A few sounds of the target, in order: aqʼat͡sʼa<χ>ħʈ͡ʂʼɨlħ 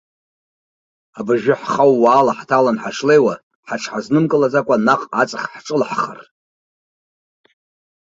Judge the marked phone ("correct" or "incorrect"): correct